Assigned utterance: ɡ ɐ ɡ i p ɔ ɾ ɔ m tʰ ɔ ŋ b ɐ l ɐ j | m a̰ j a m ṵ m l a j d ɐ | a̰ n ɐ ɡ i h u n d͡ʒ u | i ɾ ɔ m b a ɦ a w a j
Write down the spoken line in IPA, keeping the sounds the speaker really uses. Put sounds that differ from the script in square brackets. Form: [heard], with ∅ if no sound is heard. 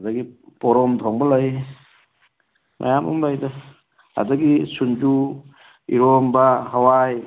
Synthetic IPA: [d] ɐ ɡ i p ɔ ɾ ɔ m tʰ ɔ ŋ b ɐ l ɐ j | m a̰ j a m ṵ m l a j d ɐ | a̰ [d] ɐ ɡ i [s] u n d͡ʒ u | i ɾ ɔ m b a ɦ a w a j

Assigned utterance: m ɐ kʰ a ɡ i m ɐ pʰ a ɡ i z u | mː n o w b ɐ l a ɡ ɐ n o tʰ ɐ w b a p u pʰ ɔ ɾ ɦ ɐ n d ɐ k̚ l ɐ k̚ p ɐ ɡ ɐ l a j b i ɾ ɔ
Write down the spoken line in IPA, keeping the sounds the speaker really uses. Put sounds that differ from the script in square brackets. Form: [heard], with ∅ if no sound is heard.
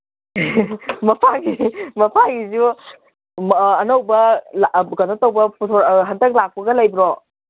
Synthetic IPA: m ɐ [pʰ] a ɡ i m ɐ pʰ a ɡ i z u | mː n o w b ɐ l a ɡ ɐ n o [t] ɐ w b [ɐ] p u [tʰ] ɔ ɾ ɦ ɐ n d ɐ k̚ l [a] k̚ p ɐ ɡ ɐ l a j b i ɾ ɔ

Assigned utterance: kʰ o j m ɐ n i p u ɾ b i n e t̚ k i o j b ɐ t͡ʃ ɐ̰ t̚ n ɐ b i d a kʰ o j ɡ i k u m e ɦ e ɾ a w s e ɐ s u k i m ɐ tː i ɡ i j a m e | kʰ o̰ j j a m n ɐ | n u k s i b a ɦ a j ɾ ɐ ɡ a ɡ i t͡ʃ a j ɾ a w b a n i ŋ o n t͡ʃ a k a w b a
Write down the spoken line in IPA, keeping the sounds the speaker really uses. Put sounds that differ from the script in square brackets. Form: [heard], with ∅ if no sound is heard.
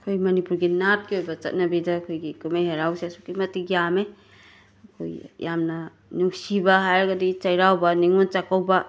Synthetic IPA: kʰ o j m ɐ n i p u ɾ [ɡ] i n [a] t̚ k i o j b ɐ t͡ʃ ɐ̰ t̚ n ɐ b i d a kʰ o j ɡ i k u m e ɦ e ɾ a w s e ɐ s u k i m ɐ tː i ɡ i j a m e | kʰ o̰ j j a m n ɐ | n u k s i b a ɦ a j ɾ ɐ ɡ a [d] i t͡ʃ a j ɾ a w b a n i ŋ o n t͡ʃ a k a w b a

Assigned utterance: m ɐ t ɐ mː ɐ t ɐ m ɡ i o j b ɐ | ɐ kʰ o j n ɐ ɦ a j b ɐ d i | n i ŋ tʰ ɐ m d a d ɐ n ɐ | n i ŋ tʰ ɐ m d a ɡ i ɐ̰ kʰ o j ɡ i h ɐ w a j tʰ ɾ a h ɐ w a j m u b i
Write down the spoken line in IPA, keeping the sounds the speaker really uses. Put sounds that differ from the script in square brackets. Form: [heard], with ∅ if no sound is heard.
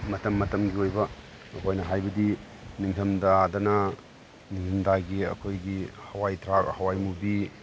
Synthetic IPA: m ɐ t ɐ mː ɐ t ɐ m ɡ i o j b ɐ | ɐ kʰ o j n ɐ ɦ a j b ɐ d i | n i ŋ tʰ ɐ m d a d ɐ n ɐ | n i ŋ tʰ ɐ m d a ɡ i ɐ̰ kʰ o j ɡ i h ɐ w a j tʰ ɾ a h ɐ w a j m u b i

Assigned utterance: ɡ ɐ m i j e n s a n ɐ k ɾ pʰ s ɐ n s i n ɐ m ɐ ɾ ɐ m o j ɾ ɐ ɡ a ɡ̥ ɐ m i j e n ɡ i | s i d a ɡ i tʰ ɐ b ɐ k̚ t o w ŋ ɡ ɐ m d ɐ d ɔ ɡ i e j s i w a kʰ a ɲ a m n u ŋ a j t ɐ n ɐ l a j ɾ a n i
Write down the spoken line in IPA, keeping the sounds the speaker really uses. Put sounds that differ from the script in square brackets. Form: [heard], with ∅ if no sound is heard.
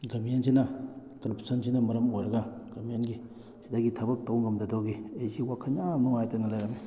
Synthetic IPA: ɡ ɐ m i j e n s [i] n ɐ k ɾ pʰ s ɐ n s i n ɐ m ɐ ɾ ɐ m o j ɾ ɐ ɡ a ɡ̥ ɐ m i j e n ɡ i | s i d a ɡ i tʰ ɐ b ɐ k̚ t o w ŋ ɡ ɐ m d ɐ d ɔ ɡ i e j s i w a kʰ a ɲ a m n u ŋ a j t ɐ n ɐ l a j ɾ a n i

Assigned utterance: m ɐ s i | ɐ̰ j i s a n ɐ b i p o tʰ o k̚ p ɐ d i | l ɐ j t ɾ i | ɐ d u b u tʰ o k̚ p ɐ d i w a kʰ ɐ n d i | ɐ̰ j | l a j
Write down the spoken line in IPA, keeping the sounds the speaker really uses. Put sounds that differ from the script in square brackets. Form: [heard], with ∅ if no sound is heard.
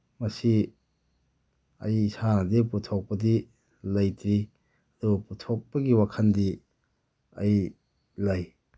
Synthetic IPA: m ɐ s i | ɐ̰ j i s a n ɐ [d] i p [u] tʰ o k̚ p ɐ d i | l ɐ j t ɾ i | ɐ d u [p] u tʰ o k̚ p ɐ [ɡ] i w a kʰ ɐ n d i | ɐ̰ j | l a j

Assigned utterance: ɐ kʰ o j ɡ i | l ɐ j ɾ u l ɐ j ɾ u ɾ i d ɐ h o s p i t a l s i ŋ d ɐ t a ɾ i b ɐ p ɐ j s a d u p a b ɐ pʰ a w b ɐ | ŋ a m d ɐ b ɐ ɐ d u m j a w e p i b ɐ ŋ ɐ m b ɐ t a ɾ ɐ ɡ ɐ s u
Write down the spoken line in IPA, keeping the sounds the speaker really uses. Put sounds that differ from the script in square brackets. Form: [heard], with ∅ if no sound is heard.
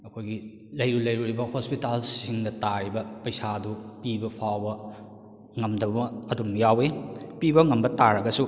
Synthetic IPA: ɐ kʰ o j ɡ i | l ɐ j ɾ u l ɐ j ɾ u ɾ i [b] ɐ h o s p i t a l s i ŋ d ɐ t a ɾ i b ɐ p ɐ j s a d u p [i] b ɐ pʰ a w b ɐ | ŋ [ɐ] m d ɐ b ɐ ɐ d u m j a w e p i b ɐ ŋ ɐ m b ɐ t a ɾ ɐ ɡ ɐ s u

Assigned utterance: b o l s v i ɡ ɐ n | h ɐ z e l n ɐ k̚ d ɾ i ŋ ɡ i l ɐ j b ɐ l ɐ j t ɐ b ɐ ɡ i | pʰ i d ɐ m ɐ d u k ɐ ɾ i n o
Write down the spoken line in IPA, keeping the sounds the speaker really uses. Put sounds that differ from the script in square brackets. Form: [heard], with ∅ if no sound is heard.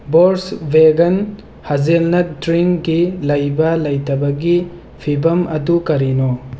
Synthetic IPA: b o [ɾ] s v [e] ɡ ɐ n | h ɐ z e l n ɐ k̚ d ɾ i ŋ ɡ i l ɐ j b ɐ l ɐ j t ɐ b ɐ ɡ i | pʰ i [b] ɐ m ɐ d u k ɐ ɾ i n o

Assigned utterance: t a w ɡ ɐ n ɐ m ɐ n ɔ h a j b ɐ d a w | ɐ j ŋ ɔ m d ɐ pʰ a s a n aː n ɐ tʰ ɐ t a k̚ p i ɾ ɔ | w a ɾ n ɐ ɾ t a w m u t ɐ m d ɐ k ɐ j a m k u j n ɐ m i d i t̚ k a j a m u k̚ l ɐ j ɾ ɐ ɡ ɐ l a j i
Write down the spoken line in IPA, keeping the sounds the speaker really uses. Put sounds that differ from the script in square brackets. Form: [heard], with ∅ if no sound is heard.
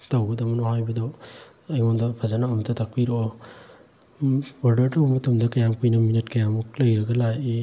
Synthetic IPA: t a w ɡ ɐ [d] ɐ m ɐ n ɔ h a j b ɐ d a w | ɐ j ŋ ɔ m d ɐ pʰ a [z] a n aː [m] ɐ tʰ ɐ t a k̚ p i ɾ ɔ | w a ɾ [d] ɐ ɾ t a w m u t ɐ m d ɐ k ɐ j a m k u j n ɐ m i [n] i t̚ k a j a m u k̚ l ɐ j ɾ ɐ ɡ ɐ l a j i

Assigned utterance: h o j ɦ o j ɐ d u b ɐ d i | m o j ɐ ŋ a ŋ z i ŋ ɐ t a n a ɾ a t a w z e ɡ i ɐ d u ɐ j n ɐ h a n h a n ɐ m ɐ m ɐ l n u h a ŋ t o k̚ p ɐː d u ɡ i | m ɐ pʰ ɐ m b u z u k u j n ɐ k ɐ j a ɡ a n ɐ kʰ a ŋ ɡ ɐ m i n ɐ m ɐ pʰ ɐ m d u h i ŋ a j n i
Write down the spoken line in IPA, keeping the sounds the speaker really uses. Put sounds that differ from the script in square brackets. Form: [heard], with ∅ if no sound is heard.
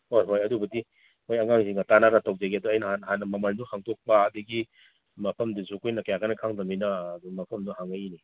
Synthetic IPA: h o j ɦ o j ɐ d u b ɐ d i | m o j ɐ ŋ a ŋ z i ŋ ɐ t a n a ɾ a t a w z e ɡ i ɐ d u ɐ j n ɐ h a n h a n ɐ m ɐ m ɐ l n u h a ŋ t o k̚ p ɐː d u ɡ i | m ɐ pʰ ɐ m [d] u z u k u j n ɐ k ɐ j a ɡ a n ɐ kʰ a ŋ [d] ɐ m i n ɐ m ɐ pʰ ɐ m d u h [a] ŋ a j n i

